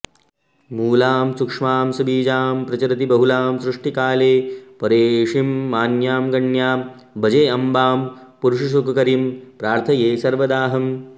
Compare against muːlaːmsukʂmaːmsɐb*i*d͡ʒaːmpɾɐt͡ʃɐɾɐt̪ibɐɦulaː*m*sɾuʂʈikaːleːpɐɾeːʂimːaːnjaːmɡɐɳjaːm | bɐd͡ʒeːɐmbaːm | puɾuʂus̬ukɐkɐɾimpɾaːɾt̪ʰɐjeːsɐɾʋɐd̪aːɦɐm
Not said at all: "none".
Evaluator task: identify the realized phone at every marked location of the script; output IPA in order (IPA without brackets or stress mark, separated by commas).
iː, m